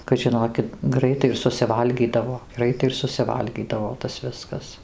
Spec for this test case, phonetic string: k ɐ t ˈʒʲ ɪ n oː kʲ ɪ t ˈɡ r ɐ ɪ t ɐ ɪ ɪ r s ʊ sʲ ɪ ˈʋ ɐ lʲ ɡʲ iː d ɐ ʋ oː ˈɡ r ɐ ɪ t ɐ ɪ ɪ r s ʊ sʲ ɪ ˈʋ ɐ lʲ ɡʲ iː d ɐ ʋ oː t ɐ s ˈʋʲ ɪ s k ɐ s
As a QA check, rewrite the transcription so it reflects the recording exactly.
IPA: k ɐ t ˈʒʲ ɪ n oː kʲ ɪ t ˈɡ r ɐ ɪ t ɐ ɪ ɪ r s ʊ sʲ ɪ ˈʋ ɐ lʲ ɡʲ iː d ɐ ʋ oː ˈɡ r ɐ ɪ t ɐ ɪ ɪ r s ʊ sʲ ɪ ˈʋ ɐ lʲ ɡʲ iː d ɐ ʋ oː t ɐ s ˈʋʲ ɪ s k ɐ s